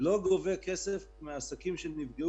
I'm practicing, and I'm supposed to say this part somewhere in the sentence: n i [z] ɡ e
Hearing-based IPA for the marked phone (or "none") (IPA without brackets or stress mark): v